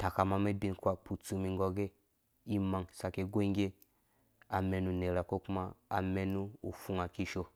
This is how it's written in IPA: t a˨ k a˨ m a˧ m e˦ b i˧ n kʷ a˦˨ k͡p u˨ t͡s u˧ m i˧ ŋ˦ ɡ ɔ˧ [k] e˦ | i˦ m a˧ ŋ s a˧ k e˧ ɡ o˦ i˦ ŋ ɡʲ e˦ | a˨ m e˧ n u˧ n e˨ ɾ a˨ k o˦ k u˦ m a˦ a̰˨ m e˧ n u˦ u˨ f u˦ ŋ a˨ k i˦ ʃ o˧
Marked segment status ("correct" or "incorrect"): incorrect